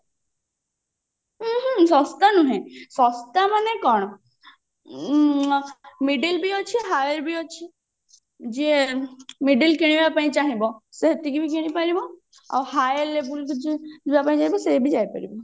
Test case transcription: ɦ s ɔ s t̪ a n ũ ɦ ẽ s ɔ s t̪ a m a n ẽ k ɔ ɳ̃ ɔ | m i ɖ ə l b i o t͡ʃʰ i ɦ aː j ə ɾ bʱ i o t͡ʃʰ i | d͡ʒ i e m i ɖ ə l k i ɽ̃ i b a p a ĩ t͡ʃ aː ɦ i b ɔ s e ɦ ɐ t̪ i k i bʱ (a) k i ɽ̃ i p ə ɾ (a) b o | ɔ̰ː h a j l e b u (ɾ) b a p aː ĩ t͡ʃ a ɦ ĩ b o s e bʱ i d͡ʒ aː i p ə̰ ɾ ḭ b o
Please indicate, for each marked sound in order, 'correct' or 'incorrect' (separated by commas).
incorrect, incorrect, incorrect